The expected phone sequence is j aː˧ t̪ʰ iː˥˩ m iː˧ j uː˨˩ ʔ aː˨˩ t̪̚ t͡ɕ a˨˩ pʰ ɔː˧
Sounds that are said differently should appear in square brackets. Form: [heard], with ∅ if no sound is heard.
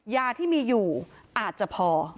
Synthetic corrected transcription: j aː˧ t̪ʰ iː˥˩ m iː˧ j uː˨˩ ʔ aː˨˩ t̪̚ t͡ɕ a˨˩ pʰ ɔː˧